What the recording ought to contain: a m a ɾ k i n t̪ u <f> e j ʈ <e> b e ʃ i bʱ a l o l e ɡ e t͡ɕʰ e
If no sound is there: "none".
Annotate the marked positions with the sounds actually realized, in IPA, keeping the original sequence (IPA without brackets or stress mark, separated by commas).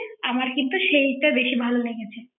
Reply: ʃ, a